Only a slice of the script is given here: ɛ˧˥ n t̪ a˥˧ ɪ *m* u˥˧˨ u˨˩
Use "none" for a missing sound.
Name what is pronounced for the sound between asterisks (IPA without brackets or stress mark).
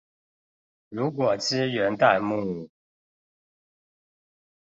m